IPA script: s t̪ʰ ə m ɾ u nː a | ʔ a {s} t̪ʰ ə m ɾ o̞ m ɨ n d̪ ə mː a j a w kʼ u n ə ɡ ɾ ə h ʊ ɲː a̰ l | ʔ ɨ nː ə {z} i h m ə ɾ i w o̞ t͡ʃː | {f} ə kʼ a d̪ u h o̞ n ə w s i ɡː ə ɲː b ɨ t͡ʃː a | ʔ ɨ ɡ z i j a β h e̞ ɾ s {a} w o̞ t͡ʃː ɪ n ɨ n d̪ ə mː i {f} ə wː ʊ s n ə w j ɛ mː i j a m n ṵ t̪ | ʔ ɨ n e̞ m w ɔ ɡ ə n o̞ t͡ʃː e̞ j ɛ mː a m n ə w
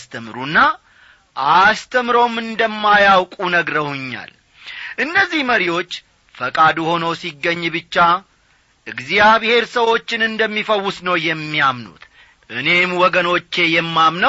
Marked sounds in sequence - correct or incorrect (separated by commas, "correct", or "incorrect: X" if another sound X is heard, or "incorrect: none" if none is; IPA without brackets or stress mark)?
correct, incorrect: zː, correct, incorrect: ə, correct